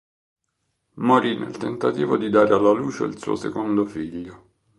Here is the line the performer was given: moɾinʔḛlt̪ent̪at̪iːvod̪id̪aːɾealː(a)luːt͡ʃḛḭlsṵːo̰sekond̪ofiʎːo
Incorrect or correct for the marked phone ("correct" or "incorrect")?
correct